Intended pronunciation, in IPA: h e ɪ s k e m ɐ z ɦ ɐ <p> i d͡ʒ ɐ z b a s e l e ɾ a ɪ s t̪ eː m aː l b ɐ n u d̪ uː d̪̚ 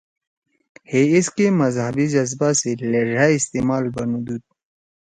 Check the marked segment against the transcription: incorrect: b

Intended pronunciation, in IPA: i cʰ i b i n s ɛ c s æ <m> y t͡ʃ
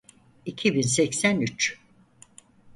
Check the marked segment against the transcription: incorrect: n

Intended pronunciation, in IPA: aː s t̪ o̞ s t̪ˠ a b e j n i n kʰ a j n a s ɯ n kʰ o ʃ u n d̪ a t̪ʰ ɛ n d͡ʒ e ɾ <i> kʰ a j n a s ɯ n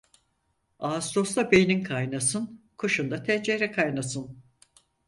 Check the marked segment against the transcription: incorrect: ɛ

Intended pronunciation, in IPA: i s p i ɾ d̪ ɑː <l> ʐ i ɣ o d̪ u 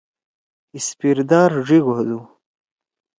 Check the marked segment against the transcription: incorrect: ɾ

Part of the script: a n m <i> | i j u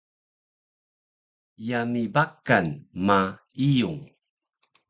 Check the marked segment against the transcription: incorrect: a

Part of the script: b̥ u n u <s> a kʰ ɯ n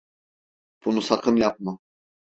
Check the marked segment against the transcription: correct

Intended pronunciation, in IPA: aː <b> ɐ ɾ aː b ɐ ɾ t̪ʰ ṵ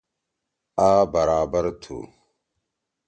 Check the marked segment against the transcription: correct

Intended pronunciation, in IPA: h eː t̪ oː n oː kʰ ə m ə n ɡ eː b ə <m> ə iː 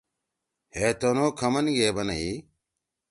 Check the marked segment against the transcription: incorrect: n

